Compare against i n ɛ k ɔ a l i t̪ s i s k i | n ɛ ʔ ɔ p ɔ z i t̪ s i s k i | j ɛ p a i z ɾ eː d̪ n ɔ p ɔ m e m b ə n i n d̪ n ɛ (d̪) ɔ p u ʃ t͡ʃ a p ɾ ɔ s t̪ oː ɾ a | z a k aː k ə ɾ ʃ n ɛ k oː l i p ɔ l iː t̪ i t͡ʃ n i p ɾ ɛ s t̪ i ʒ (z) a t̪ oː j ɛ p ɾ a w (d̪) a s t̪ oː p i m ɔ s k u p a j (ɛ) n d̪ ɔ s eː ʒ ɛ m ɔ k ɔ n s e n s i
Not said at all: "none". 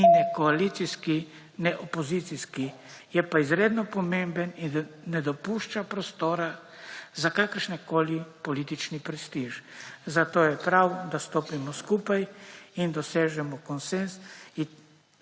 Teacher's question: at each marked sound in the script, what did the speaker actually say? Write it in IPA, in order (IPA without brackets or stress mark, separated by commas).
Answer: d̪, z, d̪, i